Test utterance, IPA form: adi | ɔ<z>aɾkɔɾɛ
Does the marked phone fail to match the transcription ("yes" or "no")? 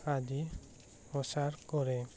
yes